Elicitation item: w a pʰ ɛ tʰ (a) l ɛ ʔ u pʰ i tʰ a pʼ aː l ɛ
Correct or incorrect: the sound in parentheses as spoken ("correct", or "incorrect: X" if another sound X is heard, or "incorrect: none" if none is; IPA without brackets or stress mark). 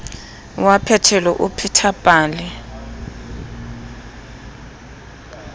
incorrect: ɛ